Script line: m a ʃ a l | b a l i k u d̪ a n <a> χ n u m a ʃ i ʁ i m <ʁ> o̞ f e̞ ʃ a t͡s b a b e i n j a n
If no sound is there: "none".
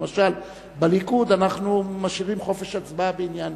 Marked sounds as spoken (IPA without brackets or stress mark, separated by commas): a, χ